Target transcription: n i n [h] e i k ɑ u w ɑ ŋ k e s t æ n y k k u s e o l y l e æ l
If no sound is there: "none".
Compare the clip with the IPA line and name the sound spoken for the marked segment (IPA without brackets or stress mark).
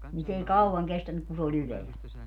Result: s